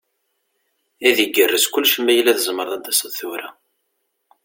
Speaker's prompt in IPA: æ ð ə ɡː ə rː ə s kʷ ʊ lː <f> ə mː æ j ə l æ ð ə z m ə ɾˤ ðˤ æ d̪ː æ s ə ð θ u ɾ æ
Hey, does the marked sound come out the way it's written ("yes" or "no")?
no